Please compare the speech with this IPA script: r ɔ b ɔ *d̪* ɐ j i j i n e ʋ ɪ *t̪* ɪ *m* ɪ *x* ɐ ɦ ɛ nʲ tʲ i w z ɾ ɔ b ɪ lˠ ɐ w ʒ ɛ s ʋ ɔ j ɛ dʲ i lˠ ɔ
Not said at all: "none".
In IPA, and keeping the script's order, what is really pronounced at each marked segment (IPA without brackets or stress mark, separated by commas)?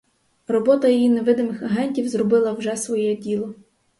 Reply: t̪, d̪, m, x